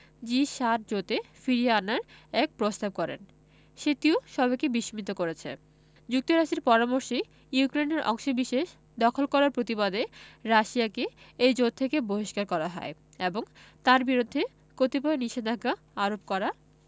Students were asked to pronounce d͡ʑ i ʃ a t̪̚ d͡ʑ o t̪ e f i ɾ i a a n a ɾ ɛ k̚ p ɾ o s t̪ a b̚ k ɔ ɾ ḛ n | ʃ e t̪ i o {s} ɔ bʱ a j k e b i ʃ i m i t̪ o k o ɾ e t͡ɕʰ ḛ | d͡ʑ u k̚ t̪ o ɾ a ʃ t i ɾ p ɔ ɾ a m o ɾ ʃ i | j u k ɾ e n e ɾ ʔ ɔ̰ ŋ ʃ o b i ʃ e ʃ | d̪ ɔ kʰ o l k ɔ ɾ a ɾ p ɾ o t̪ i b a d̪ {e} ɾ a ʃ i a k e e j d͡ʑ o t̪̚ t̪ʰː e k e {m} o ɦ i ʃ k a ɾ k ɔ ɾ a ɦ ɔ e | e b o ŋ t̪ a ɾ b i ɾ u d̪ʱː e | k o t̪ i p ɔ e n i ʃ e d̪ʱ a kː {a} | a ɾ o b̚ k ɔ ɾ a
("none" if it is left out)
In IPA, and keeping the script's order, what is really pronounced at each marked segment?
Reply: ʃ, e, b, a

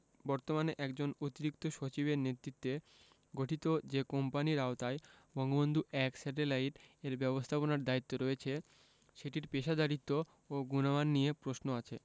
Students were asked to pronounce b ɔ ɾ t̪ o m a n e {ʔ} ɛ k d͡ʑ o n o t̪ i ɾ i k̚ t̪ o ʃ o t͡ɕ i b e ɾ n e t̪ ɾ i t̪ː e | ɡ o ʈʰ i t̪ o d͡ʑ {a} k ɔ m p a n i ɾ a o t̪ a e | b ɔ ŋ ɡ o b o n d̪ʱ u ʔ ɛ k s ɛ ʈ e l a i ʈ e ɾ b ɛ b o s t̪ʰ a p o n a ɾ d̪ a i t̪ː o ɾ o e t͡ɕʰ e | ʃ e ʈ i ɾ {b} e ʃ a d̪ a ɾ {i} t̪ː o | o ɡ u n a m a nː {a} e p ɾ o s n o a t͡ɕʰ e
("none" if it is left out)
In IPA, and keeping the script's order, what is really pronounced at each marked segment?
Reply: ʔ, e, p, i, i

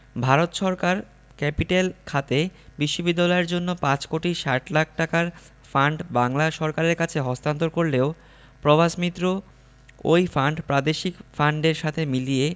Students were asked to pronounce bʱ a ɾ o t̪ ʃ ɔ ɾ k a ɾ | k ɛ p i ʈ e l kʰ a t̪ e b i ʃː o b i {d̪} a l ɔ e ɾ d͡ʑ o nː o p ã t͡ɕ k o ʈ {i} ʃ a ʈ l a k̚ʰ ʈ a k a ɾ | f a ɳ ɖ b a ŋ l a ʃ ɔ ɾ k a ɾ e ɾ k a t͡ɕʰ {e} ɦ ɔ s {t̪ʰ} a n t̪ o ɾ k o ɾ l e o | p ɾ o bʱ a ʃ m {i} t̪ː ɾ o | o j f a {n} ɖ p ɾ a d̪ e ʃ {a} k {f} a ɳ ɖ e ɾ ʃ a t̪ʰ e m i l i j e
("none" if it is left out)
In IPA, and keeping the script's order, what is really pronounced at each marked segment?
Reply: d̪ː, i, e, t̪, i, ɳ, i, f

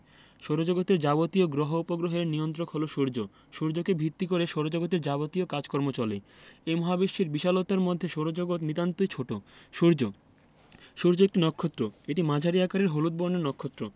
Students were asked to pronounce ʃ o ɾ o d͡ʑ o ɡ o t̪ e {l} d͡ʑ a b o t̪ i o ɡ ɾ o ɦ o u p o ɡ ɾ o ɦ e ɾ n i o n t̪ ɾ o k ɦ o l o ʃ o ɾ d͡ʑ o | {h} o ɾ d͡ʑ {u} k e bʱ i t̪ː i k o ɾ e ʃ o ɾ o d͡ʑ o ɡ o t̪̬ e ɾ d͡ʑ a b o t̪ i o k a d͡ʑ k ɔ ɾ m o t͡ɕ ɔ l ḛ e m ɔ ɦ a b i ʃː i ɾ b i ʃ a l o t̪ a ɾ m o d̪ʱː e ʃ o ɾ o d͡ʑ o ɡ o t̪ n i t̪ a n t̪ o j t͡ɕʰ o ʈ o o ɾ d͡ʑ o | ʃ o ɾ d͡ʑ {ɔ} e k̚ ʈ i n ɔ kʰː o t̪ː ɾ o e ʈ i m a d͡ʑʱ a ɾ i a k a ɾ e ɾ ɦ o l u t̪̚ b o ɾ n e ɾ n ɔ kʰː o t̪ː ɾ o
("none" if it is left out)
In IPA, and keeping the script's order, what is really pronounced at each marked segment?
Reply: ɾ, ʃ, o, o

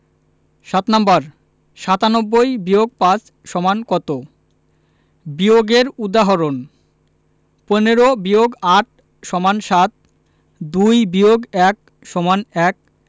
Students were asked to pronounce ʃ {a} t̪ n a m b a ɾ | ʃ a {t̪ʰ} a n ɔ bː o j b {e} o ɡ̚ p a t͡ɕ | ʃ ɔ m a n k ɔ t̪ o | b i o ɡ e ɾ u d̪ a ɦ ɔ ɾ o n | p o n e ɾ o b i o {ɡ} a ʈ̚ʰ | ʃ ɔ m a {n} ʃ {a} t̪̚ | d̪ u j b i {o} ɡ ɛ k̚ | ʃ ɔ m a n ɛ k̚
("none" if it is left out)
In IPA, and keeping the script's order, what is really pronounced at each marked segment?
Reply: a, t̪, i, ɡ, n, a, o

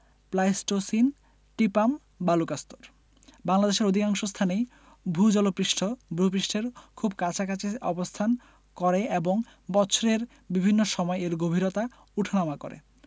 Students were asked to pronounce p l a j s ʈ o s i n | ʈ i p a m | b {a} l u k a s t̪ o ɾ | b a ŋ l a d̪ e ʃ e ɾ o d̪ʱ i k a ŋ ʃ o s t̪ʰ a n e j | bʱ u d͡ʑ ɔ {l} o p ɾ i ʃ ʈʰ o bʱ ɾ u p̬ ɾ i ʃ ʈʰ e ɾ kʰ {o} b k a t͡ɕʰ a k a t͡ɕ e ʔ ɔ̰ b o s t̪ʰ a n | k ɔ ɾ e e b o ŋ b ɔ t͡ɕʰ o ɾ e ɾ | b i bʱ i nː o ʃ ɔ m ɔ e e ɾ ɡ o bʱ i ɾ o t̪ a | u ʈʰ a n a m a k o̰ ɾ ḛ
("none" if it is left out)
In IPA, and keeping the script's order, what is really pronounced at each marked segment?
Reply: a, l, u

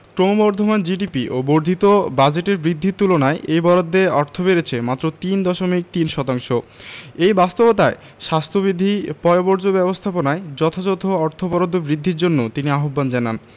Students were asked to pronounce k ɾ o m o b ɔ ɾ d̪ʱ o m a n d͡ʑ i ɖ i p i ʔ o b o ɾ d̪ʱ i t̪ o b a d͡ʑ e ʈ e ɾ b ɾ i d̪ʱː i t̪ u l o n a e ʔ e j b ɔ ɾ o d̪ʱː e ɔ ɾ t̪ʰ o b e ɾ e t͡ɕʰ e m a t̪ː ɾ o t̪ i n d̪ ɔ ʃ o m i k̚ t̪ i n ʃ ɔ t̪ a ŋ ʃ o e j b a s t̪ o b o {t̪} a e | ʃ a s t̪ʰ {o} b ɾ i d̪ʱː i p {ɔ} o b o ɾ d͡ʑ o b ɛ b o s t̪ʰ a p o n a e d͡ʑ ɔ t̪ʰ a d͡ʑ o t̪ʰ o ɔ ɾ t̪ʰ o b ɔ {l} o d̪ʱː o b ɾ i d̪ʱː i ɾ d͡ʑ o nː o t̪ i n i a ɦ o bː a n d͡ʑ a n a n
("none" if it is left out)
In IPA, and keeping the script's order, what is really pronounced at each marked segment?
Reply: t̪, o, ɔ, ɾ

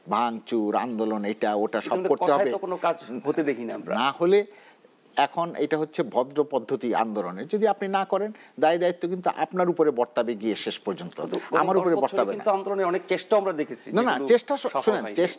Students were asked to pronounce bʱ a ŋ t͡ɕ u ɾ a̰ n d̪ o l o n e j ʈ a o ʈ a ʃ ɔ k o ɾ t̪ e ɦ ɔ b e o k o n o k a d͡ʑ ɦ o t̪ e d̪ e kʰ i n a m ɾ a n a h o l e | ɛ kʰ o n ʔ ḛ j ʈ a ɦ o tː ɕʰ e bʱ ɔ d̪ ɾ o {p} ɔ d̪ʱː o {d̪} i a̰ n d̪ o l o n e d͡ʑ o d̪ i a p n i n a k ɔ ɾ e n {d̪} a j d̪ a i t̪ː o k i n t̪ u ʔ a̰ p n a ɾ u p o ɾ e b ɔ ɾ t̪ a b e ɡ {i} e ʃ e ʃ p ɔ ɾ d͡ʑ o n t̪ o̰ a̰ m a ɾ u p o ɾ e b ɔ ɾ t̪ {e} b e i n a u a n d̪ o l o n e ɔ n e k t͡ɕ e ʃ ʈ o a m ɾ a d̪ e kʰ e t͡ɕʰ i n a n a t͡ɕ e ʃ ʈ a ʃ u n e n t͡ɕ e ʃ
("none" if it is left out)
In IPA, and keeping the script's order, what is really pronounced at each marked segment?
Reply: p, t̪, d̪, i, a

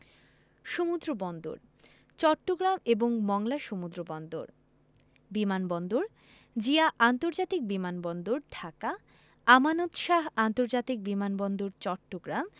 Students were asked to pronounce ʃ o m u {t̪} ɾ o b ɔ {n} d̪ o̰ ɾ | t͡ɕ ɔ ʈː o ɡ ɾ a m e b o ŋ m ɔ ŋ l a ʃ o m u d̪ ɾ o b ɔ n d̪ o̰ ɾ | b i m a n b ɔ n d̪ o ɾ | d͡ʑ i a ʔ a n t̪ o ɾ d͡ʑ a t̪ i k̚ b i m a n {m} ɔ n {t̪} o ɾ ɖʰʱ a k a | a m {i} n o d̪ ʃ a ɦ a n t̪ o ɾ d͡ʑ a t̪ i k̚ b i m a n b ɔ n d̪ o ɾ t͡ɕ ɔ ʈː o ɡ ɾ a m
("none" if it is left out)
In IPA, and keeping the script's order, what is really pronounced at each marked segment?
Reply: d̪, n, b, d̪, a

